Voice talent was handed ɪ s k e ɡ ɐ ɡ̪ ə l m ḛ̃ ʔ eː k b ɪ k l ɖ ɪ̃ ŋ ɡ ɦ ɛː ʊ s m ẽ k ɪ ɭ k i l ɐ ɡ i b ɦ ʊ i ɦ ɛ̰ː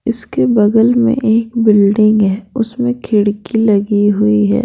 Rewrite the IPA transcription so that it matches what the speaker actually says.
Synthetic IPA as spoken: ɪ s k e b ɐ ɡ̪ ə l m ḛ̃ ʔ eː k b ɪ l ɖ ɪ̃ ŋ ɡ ɦ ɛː ʊ s m ẽ kʰ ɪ ɽ k i l ɐ ɡ i ɦ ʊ i ɦ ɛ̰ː